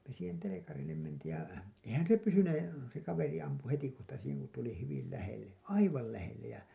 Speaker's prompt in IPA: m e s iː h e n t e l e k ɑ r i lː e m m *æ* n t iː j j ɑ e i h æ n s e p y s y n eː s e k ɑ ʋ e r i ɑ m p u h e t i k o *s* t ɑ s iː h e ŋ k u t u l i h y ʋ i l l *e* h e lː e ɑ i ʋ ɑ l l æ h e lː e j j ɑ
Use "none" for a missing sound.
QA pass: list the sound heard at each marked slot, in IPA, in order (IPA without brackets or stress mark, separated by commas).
e, h, æ